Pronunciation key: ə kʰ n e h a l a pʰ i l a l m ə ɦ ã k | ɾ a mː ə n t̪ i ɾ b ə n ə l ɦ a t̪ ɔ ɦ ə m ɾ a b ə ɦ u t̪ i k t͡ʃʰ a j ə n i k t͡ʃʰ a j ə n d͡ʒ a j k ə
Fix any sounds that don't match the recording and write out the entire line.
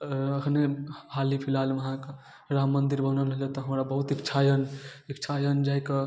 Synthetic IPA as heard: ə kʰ n e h a l i pʰ i l a l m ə ɦ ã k | ɾ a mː ə n d̪ i ɾ b ə n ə l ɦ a t̪ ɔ ɦ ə m ɾ a b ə ɦ u t̪ i k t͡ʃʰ a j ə n i k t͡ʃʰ a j ə n d͡ʒ a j k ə